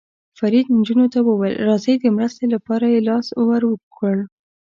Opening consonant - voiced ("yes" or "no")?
no